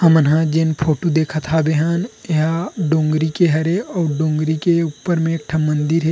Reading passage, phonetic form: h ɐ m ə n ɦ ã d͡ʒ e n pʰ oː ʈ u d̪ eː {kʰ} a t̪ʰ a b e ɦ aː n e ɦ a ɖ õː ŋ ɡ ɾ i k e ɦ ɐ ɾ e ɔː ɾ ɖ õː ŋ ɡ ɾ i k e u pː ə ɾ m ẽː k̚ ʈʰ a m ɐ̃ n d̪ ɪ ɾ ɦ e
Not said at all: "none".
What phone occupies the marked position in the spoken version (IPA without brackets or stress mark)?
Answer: kʰ